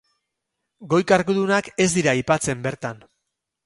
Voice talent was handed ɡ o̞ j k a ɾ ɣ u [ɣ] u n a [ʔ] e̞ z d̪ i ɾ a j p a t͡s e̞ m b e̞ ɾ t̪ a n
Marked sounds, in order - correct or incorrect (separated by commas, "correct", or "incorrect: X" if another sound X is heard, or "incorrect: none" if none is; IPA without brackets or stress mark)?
incorrect: ð, incorrect: k